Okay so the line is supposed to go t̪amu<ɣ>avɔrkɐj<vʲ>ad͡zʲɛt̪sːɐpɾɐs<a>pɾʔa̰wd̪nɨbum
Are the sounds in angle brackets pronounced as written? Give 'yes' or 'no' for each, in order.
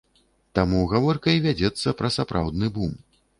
yes, yes, yes

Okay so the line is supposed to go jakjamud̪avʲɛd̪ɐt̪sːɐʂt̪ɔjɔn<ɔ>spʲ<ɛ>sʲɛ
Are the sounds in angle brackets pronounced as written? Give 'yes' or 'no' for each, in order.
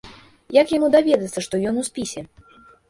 no, no

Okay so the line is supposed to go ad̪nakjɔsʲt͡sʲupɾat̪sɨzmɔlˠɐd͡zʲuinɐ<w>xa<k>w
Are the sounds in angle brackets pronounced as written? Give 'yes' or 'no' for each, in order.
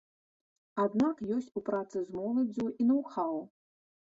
yes, no

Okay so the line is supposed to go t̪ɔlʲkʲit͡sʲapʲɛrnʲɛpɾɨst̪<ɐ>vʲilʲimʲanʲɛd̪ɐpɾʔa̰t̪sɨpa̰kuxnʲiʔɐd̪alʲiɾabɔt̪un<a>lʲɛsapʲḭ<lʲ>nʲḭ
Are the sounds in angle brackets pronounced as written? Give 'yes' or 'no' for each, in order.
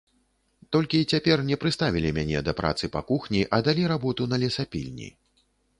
no, no, yes

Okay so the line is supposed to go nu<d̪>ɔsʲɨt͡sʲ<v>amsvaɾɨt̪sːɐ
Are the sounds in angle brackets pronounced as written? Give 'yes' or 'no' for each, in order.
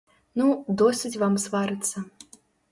yes, yes

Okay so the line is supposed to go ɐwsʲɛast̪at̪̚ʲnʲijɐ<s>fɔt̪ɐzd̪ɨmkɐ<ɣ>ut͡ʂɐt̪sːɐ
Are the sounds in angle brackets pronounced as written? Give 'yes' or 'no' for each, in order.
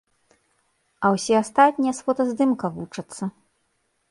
yes, no

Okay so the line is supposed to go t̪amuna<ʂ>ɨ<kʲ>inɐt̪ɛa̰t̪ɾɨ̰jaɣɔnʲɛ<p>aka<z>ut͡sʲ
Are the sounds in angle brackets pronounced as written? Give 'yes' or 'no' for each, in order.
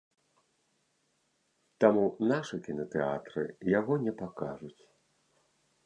yes, yes, yes, no

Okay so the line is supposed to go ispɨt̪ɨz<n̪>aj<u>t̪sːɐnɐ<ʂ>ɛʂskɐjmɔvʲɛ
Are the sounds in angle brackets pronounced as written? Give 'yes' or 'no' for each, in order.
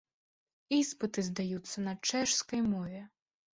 no, yes, no

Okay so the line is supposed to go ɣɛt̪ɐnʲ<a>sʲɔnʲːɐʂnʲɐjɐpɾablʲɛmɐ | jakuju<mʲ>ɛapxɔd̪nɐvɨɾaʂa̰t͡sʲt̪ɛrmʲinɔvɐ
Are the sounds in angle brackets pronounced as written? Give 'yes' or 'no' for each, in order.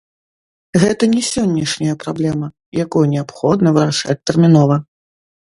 no, no

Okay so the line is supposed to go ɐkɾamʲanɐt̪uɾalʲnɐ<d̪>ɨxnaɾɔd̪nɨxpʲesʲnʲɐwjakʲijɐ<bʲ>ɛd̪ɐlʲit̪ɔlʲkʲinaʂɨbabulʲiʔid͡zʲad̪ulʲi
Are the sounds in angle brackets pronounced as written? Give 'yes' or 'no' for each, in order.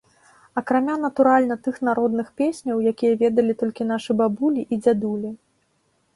no, no

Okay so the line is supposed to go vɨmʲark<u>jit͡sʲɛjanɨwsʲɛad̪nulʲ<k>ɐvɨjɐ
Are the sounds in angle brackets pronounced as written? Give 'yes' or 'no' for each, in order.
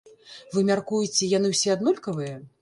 yes, yes

